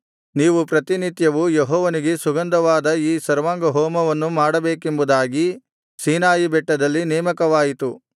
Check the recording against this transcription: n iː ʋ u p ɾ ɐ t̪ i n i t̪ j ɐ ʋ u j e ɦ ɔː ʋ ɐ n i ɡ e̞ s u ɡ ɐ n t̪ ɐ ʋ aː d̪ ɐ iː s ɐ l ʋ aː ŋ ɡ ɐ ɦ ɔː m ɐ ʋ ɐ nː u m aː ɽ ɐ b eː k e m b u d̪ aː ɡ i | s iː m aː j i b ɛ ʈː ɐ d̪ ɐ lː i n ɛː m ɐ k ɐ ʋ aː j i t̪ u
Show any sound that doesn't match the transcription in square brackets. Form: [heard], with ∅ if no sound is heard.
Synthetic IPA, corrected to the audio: n iː ʋ u p ɾ ɐ t̪ i n i t̪ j ɐ ʋ u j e ɦ ɔː ʋ ɐ n i ɡ e̞ s u ɡ ɐ n [d̪] ɐ ʋ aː d̪ ɐ iː s ɐ [ɾ] ʋ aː ŋ ɡ ɐ ɦ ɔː m ɐ ʋ ɐ nː u m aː ɽ ɐ b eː k e m b u d̪ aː ɡ i | s iː [n] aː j i b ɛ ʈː ɐ d̪ ɐ lː i n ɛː m ɐ k ɐ ʋ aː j i t̪ u